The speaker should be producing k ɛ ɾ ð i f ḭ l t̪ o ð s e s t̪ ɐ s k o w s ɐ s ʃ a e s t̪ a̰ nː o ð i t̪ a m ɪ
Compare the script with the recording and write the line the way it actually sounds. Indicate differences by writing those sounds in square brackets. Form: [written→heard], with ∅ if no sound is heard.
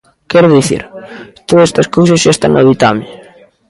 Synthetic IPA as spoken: k ɛ ɾ ð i [f→θ] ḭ [l→ɾ] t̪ o ð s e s t̪ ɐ s k o w s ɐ s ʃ a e s t̪ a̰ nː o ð i t̪ a m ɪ